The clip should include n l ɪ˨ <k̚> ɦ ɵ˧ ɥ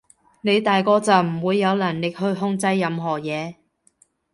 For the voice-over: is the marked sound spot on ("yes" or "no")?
yes